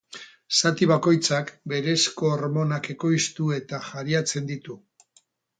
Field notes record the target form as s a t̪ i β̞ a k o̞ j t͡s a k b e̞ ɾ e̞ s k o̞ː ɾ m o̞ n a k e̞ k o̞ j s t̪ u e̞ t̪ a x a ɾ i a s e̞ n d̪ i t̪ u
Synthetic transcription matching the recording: s a t̪ i β̞ a k o̞ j t͡s a k b e̞ ɾ e̞ s k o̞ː ɾ m o̞ n a k e̞ k o̞ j s t̪ u e̞ t̪ a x a ɾ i a t͡s e̞ n d̪ i t̪ u

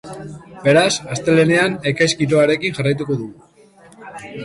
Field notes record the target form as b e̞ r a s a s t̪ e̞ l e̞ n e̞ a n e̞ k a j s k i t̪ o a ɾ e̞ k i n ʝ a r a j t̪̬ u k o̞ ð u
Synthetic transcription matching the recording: b e̞ ɾ a s a s t̪ e̞ l e̞ n e̞ a n e̞ k a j s k i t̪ o a ɾ e̞ k i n ʝ a r a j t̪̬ u k o̞ ð u

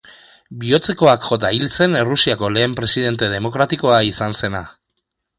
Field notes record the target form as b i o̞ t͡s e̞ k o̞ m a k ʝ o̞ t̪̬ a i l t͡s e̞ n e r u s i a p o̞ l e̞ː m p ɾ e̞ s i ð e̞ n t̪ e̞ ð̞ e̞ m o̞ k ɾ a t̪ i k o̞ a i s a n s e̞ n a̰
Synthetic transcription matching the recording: b i o̞ t͡s e̞ k o̞ a k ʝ o̞ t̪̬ a i l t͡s e̞ n e r u s i a k o̞ l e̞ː m p ɾ e̞ s i ð e̞ n t̪ e̞ ð̞ e̞ m o̞ k ɾ a t̪ i k o̞ a i s a n s e̞ n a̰

